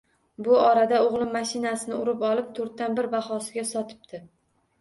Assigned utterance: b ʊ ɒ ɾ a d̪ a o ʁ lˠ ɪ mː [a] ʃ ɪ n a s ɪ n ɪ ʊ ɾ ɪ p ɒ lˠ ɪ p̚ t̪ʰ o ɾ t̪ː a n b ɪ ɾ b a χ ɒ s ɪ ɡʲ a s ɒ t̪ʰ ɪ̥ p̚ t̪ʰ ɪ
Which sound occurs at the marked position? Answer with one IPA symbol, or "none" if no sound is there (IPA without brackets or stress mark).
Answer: a